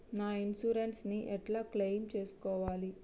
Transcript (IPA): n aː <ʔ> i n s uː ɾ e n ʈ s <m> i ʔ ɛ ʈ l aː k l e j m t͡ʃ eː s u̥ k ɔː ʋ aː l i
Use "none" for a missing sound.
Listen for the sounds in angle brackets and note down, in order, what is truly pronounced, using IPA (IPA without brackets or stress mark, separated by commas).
none, n